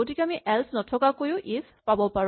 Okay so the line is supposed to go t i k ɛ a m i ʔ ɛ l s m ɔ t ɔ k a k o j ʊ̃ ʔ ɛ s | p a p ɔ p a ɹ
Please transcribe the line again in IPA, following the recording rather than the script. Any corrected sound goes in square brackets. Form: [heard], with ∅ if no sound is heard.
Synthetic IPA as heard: t i k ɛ a m i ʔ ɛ l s [n] ɔ [tʰ] ɔ k a k o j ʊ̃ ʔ [i] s | p a [b] ɔ p a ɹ